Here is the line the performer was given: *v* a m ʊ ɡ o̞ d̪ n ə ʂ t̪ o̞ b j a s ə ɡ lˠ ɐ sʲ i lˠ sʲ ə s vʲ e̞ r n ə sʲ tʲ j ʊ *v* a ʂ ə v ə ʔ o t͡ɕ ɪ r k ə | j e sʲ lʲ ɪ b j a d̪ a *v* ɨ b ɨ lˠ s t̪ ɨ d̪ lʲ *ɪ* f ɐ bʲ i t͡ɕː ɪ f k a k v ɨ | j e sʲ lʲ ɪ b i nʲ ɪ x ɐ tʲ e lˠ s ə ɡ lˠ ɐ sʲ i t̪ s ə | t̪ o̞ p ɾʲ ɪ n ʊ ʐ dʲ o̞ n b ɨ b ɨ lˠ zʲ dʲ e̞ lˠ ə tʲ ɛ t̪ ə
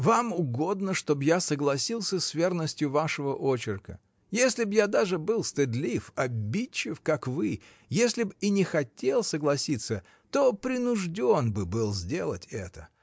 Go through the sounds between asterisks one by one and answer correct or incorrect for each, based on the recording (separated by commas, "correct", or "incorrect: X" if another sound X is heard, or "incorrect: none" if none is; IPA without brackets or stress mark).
correct, correct, incorrect: ʐ, incorrect: i